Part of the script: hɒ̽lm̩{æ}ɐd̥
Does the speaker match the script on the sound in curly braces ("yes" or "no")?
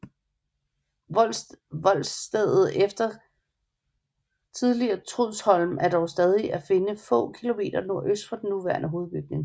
yes